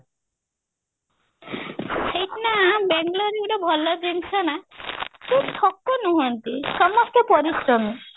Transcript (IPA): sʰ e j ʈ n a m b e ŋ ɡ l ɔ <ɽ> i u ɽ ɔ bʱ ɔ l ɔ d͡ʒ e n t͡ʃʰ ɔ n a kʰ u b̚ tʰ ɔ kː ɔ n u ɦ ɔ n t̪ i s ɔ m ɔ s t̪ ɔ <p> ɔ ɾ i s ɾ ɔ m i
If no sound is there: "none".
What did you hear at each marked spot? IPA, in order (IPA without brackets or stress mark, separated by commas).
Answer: ɾ, p